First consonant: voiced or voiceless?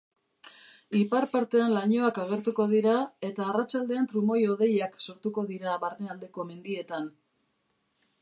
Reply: voiceless